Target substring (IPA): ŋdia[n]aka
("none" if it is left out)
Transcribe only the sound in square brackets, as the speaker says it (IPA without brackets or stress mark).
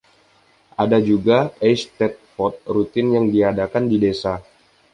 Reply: d